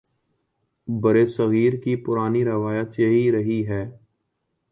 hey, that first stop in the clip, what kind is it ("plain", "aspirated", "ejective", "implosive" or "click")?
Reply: plain